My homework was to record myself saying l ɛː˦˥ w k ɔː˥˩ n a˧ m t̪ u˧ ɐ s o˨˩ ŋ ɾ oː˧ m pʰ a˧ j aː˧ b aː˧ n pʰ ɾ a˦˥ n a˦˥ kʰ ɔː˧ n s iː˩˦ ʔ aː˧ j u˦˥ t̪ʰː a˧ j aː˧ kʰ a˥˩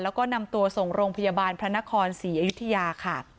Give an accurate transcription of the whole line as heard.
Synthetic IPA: l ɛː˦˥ w k ɔː˥˩ n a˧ m t̪ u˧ ɐ s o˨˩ ŋ ɾ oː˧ ŋ pʰ a˧ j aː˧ b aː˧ n pʰ ɾ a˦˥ n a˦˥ kʰ ɔː˧ n s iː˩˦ ʔ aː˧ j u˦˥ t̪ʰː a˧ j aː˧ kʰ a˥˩